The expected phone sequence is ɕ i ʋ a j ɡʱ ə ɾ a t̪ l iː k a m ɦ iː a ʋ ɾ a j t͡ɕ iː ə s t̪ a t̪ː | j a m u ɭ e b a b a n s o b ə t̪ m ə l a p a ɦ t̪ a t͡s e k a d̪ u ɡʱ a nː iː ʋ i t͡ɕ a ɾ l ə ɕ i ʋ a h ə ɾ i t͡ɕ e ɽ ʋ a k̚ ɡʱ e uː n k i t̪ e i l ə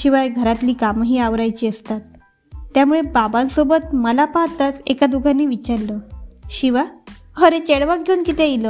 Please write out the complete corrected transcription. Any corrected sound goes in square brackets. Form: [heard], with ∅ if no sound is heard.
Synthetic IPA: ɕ i ʋ a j ɡʱ ə ɾ a t̪ l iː k a m ɦ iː a ʋ ɾ a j t͡ɕ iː ə s t̪ a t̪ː | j a m u ɭ e b a b a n s o b ə t̪ m ə l a p a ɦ t̪ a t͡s e k a d̪ u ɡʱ a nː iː ʋ i t͡ɕ a ɾ l ə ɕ i ʋ a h ə ɾ [e] t͡ɕ e ɽ ʋ a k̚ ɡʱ e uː n k i t̪ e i l ə